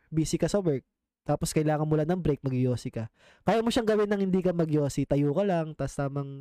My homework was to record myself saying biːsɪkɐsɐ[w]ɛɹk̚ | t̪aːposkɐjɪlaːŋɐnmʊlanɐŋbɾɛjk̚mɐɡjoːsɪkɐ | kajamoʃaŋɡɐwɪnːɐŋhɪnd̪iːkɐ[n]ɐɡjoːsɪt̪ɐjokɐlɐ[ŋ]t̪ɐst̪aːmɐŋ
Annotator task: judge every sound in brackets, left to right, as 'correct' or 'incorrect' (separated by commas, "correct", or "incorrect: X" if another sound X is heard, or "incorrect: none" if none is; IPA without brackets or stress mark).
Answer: correct, incorrect: m, correct